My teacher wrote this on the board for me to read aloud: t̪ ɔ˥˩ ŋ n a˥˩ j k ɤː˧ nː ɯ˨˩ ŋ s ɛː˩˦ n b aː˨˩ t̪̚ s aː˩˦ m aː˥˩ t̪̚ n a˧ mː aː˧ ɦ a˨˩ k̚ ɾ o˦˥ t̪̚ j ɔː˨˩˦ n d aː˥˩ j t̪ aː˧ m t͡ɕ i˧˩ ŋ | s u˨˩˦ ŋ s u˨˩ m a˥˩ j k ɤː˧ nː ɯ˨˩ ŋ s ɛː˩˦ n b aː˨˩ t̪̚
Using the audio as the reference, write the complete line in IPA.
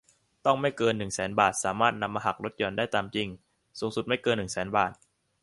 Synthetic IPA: t̪ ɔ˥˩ ŋ m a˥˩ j k ɤː˧ nː ɯ˨˩ ŋ s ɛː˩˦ n b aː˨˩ t̪̚ s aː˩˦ m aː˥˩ t̪̚ n a˧ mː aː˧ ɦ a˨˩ k̚ ɾ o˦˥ t̪̚ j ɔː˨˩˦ n d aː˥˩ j t̪ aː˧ m t͡ɕ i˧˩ ŋ | s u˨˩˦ ŋ s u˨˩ m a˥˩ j k ɤː˧ nː ɯ˨˩ ŋ s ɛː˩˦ n b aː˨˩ t̪̚